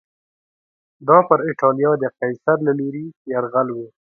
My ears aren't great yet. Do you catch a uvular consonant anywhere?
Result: yes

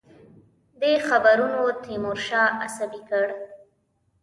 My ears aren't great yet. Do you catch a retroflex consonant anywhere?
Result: yes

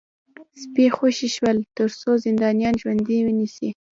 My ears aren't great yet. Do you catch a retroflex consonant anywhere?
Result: no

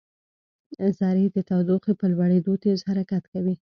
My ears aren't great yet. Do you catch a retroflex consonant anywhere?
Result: yes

